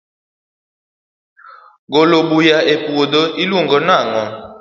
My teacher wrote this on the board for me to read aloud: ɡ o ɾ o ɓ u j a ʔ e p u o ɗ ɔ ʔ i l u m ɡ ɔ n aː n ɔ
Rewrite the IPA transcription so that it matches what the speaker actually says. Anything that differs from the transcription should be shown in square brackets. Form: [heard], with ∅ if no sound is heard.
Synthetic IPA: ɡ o [l] o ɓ u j a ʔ e p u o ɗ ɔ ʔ i l u [ŋ] ɡ ɔ n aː [ŋ] ɔ